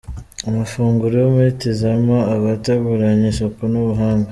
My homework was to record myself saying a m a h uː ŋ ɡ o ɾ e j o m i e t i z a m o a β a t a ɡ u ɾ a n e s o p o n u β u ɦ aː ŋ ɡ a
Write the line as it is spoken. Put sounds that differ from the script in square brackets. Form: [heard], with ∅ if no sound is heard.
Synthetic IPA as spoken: a m a [f] uː ŋ ɡ [u] ɾ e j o m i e t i z a m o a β a t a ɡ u ɾ a [ɲ] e s o [k] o n u β u ɦ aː ŋ ɡ a